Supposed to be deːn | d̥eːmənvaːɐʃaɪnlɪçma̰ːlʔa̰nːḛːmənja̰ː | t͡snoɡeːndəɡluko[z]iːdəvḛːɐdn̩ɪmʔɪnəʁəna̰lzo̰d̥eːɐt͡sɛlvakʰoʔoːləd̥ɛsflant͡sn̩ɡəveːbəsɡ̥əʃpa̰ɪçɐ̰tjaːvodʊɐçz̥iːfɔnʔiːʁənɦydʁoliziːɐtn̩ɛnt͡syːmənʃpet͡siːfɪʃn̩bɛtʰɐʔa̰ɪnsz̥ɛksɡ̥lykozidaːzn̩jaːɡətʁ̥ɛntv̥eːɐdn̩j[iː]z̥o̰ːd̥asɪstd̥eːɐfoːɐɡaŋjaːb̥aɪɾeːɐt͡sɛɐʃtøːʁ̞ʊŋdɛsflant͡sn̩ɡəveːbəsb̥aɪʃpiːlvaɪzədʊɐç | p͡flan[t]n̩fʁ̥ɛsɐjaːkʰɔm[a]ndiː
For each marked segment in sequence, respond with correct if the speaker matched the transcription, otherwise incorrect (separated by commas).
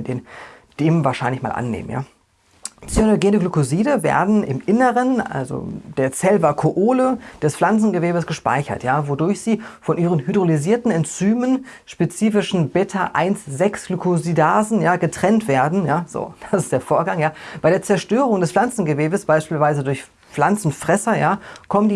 correct, incorrect, incorrect, incorrect